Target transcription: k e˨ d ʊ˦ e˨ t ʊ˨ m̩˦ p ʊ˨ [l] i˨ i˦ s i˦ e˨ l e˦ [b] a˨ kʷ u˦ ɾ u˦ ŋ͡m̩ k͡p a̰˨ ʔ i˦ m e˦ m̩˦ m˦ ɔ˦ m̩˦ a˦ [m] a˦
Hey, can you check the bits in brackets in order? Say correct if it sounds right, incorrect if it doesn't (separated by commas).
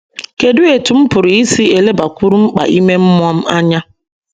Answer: incorrect, correct, incorrect